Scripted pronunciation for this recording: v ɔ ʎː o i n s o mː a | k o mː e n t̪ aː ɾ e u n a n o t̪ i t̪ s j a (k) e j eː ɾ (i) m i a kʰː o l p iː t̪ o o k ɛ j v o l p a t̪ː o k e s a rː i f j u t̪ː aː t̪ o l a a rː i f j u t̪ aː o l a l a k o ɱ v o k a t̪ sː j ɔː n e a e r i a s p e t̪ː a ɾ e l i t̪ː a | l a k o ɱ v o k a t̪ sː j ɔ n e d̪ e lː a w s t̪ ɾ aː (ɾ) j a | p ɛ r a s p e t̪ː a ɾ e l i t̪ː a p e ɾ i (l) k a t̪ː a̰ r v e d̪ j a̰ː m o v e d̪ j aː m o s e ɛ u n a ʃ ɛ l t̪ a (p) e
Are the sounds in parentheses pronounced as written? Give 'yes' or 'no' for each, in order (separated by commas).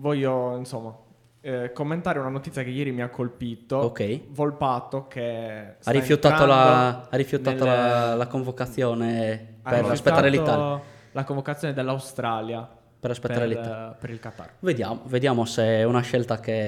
yes, yes, no, yes, no